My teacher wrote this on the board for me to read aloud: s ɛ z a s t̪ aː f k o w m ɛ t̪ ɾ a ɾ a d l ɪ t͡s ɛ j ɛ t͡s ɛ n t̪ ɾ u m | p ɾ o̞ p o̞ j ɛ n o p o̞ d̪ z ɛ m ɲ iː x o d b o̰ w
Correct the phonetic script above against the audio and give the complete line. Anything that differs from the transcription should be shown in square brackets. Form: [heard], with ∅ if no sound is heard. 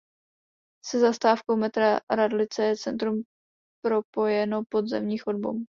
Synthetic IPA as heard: s ɛ z a s t̪ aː f k o w m ɛ t̪ ɾ a ɾ a d l ɪ t͡s ɛ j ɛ t͡s ɛ n t̪ ɾ u m | p ɾ o̞ p o̞ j ɛ n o p o̞ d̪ z ɛ m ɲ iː x o d b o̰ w